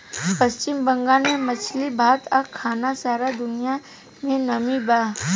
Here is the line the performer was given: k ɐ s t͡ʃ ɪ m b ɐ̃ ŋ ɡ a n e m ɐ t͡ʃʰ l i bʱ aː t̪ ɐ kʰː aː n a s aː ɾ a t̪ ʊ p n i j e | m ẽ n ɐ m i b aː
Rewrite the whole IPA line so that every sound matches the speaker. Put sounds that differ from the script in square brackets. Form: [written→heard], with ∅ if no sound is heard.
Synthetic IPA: [k→p] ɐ s t͡ʃ ɪ m b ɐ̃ ŋ ɡ a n e m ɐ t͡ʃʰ l i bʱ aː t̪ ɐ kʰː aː n a s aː ɾ a [t̪→d̪] ʊ [p→∅] n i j [e→a] | m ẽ n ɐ m i b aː